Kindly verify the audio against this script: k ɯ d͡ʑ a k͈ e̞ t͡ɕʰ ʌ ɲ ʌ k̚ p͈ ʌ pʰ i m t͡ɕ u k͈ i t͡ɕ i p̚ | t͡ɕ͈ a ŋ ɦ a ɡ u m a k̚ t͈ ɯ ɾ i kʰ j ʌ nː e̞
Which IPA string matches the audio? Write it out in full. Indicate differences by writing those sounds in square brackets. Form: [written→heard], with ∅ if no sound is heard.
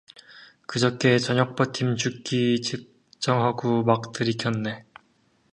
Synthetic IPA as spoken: k ɯ d͡ʑ [a→ʌ] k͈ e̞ [t͡ɕʰ→t͡ɕ] ʌ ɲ ʌ k̚ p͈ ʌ [pʰ→tʰ] i m t͡ɕ u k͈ i t͡ɕ i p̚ | t͡ɕ͈ [a→ʌ] ŋ ɦ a ɡ u m a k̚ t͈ ɯ ɾ i kʰ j ʌ nː e̞